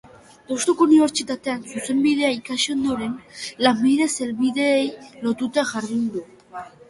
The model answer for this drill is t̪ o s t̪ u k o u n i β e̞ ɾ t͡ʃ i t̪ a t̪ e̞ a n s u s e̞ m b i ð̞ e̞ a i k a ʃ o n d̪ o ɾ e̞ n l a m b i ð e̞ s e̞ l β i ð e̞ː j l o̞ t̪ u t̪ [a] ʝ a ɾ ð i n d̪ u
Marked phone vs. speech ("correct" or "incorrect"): correct